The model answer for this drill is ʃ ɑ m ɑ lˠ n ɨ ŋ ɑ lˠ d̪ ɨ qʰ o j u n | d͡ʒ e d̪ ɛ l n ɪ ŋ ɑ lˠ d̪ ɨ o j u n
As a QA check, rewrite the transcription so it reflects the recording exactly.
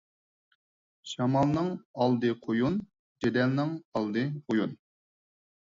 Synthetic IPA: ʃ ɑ m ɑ lˠ n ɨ ŋ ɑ lˠ d̪ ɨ qʰ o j u n | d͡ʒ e d̪ ɛ l n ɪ ŋ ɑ lˠ d̪ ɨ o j u n